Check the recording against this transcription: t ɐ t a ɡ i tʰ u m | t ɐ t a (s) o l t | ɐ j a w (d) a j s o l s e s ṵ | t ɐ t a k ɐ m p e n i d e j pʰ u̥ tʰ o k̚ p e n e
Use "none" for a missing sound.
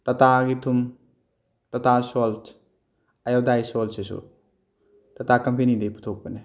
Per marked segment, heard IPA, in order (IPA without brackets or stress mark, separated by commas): s, d